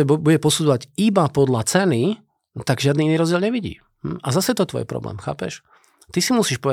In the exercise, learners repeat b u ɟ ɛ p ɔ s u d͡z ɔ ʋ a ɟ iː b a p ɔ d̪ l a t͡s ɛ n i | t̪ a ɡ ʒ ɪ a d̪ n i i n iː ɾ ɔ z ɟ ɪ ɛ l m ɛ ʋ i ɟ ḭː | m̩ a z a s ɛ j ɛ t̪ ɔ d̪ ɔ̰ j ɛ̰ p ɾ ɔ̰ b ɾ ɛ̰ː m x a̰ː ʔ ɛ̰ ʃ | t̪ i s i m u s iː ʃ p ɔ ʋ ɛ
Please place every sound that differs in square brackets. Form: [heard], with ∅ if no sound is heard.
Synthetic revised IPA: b u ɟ ɛ p ɔ s u d͡z ɔ ʋ a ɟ [i] b a p ɔ d̪ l a t͡s ɛ n i | t̪ a ɡ ʒ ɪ a d̪ n i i n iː ɾ ɔ z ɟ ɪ ɛ l [ɲ] ɛ ʋ i ɟ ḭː | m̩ a z a s ɛ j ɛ t̪ ɔ [t̪] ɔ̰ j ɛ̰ p ɾ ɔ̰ b [l] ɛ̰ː m x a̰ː [p] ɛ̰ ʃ | t̪ i s i m u s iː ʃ p ɔ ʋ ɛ